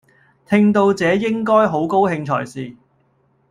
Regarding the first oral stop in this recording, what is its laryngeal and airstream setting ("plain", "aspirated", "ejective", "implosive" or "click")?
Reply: aspirated